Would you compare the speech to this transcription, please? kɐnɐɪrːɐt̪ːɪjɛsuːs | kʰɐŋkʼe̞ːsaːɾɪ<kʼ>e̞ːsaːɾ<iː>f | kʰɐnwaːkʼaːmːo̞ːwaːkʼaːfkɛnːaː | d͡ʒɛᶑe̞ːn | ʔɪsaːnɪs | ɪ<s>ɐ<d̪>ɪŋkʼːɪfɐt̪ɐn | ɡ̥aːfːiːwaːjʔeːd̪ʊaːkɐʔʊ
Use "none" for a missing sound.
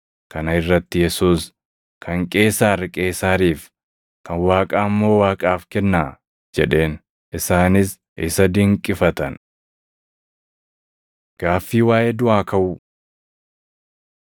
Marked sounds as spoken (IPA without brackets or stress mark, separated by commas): kʼ, iː, s, d̪